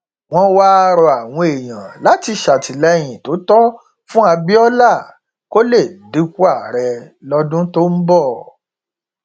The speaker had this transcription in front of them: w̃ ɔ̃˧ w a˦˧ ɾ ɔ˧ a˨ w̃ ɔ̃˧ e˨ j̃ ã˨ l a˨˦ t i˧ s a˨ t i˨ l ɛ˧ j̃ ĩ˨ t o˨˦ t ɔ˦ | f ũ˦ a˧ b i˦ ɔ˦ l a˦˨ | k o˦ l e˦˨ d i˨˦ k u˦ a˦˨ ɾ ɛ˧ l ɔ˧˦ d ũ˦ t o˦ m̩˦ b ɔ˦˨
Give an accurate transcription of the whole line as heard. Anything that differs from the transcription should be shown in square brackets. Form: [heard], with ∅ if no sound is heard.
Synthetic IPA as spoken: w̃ ɔ̃˧ w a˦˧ ɾ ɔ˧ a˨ w̃ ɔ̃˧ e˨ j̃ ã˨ l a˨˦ t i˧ [ʃ] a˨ t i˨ l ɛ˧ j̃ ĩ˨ t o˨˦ t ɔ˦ | f ũ˦ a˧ b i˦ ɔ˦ l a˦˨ | k o˦ l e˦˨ d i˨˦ k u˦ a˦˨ ɾ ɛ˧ l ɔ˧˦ d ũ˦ t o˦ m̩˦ b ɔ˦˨